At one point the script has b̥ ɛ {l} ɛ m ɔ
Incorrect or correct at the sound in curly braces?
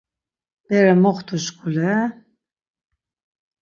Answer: incorrect: ɾ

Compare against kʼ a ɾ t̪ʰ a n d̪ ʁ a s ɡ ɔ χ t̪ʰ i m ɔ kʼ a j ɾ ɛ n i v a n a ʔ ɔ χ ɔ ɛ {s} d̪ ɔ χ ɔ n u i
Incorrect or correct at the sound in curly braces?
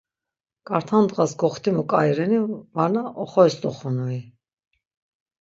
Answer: correct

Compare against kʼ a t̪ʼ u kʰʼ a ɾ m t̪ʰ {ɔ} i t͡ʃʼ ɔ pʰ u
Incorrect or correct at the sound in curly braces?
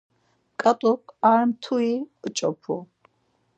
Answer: incorrect: u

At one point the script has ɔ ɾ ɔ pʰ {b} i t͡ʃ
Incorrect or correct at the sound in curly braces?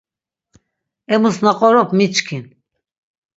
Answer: incorrect: m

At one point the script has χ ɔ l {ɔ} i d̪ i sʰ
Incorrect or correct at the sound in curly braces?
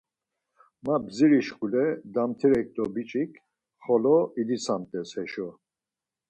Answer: correct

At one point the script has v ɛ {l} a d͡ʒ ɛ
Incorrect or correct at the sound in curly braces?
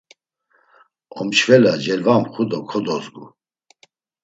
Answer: correct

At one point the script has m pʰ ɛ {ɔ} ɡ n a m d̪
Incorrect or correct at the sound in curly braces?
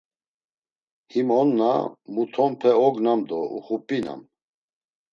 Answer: correct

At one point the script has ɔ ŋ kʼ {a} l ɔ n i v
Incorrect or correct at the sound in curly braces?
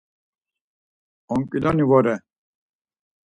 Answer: incorrect: i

